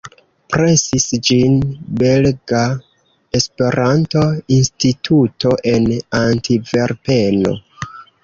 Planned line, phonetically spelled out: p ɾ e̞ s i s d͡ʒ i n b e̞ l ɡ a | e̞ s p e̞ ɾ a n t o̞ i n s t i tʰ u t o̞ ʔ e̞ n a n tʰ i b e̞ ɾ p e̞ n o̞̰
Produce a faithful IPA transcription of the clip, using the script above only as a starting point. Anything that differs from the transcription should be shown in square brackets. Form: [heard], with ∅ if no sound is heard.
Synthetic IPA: p ɾ e̞ s i s d͡ʒ i n b e̞ l ɡ a | e̞ s p e̞ ɾ a n t o̞ i n s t i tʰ u t o̞ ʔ e̞ n a n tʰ i [v] e̞ ɾ p e̞ n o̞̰